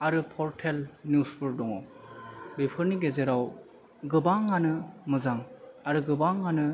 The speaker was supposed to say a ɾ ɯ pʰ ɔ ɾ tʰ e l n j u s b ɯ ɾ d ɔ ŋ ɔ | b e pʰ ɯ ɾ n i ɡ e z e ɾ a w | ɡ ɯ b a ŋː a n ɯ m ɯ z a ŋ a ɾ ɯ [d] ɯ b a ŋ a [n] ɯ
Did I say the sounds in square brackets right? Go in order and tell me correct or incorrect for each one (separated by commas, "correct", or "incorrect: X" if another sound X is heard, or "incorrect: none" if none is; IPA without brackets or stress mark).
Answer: incorrect: ɡ, correct